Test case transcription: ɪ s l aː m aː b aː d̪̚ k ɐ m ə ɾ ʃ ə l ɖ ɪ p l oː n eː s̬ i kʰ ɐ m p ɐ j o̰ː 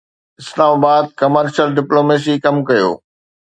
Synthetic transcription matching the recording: ɪ s l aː m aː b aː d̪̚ k ɐ m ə ɾ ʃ ə l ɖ ɪ p l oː m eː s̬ i k ɐ m k ɐ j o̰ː